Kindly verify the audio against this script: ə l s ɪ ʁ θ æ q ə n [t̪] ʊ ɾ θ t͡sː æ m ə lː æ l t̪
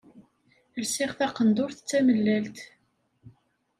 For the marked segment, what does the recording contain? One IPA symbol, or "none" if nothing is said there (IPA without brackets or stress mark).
d̪